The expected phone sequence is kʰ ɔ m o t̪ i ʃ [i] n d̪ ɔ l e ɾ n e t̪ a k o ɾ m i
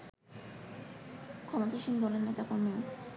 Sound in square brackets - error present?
no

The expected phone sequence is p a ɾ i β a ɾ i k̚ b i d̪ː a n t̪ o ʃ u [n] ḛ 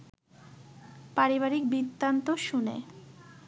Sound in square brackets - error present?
no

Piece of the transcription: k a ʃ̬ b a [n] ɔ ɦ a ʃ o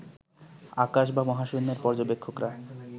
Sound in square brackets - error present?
yes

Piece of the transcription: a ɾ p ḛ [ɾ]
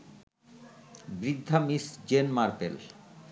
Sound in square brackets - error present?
yes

